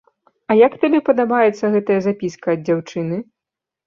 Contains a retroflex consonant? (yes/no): yes